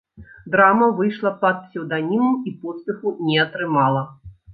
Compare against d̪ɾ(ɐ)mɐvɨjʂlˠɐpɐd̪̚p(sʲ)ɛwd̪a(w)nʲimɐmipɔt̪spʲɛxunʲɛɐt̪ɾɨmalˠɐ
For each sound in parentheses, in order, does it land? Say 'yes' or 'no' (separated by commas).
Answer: no, yes, no